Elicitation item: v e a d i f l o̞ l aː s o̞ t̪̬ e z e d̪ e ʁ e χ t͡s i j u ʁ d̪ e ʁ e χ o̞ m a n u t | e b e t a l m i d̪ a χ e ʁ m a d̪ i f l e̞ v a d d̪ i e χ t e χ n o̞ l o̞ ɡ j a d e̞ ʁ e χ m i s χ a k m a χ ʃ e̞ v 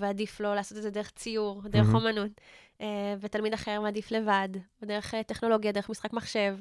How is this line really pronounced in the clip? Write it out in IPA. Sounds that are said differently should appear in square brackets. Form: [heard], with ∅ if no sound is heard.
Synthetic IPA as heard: v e a d i f l o̞ l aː s o̞ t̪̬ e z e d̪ e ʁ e χ t͡s i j u ʁ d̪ e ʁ e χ o̞ m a n u t | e [v] e t a l m i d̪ a χ e ʁ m a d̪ i f l e̞ v a d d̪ [e] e χ t e χ n o̞ l o̞ ɡ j a d e̞ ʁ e χ m i s χ a k m a χ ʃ e̞ v